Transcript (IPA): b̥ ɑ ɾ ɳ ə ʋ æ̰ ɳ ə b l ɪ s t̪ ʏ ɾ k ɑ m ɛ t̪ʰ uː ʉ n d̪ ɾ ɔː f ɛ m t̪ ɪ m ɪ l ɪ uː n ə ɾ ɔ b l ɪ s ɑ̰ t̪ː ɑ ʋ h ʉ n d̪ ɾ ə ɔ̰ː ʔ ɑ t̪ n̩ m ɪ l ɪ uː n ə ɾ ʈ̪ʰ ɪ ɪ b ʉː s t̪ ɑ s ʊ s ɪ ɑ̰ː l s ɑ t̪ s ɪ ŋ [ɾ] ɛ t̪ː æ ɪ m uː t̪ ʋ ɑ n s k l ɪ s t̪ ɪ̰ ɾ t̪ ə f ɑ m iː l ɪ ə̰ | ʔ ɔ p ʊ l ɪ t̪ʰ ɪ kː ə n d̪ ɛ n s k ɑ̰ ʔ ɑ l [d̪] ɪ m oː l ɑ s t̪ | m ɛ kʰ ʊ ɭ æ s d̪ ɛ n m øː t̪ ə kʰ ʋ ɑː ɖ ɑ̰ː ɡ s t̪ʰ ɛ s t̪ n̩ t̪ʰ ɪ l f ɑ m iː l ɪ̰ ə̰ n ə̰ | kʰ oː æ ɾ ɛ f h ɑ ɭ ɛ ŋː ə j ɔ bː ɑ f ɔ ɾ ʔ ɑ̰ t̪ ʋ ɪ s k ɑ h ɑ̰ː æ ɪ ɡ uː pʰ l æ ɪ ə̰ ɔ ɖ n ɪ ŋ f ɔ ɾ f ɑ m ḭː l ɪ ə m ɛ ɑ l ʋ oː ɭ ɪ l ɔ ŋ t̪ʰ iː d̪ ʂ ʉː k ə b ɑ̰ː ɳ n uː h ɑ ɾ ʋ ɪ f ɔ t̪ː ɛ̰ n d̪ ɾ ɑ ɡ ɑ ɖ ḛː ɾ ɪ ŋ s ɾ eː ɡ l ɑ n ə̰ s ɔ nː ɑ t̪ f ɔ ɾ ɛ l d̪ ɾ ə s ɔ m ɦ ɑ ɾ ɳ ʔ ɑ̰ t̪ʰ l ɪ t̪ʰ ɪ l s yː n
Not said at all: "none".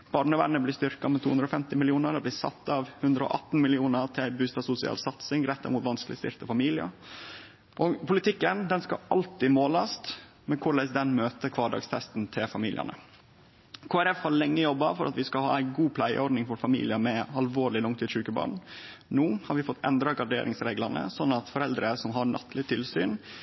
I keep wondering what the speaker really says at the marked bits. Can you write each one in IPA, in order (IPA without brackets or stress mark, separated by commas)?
ɾ, t̪